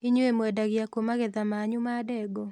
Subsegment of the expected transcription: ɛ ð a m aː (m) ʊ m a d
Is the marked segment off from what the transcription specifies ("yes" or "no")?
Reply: yes